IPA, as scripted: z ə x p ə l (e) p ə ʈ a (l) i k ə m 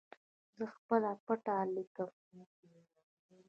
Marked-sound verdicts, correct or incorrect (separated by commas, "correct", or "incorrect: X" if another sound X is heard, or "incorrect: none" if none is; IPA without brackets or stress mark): incorrect: a, correct